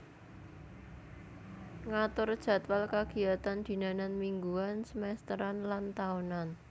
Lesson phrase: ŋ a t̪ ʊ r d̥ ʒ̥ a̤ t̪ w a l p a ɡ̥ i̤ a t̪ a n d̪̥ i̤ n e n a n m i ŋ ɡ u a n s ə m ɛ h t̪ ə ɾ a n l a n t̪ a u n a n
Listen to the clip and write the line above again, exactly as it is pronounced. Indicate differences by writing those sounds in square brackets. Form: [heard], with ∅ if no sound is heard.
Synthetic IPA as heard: ŋ a t̪ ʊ r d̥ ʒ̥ a̤ t̪ w a l [k] a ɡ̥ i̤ a t̪ a n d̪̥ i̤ n [a] n a n m i ŋ ɡ u a n s ə m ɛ [s] t̪ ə ɾ a n l a n t̪ a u n a n